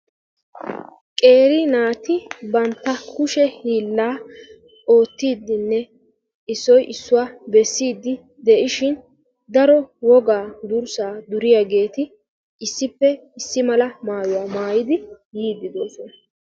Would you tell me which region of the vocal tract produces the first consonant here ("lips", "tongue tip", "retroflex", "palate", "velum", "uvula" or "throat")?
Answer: velum